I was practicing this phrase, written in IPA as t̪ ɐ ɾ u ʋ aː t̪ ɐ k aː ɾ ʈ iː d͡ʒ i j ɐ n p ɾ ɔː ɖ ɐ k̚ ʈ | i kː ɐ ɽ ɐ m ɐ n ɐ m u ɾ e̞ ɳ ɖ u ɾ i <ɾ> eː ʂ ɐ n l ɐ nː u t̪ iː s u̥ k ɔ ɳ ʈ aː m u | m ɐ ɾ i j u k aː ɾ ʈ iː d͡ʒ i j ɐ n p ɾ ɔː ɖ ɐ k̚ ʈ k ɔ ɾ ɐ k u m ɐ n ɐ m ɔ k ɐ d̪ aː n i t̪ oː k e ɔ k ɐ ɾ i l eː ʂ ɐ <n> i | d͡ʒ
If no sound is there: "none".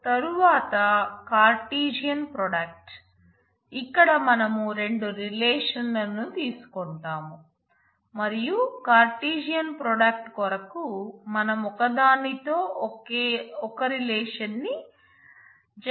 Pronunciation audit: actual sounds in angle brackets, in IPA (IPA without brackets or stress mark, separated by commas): l, nː